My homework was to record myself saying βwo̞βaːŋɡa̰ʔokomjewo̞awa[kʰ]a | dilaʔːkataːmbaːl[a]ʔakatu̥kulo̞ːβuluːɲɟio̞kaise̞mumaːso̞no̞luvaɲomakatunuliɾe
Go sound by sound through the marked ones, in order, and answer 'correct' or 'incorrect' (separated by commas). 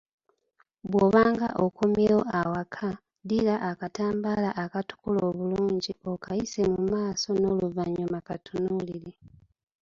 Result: correct, correct